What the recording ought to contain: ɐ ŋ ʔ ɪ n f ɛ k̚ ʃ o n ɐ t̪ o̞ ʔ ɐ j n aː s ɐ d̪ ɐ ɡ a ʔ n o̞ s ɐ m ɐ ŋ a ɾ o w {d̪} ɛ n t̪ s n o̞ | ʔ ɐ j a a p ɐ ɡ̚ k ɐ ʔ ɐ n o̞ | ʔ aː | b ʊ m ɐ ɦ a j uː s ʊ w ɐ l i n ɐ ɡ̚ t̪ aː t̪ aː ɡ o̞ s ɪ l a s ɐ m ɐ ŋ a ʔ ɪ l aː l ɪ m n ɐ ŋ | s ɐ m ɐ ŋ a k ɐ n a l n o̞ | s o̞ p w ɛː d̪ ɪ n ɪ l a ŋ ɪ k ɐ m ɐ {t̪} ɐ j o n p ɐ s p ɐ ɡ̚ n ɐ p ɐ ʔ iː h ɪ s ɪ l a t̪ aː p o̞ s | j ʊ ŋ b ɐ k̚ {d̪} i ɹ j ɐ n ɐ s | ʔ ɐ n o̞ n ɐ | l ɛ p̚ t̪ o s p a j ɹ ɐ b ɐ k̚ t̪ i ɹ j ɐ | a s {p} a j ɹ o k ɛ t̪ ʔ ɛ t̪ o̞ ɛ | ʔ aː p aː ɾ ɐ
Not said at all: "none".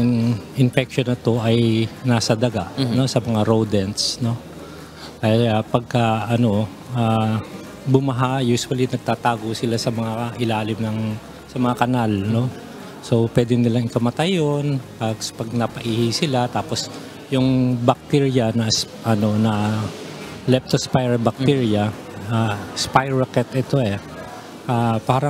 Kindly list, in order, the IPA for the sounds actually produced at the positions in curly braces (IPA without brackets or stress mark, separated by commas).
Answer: d̪, t̪, t̪, p